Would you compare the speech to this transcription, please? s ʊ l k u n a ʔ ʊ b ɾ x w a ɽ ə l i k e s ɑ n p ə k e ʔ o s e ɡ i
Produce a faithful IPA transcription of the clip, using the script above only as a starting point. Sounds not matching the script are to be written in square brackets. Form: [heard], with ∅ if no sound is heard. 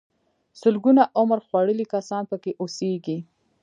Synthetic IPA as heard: s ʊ l [ɡ] u n a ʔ ʊ [m] ɾ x w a ɽ ə l i k [a] s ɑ n p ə k e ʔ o s e ɡ i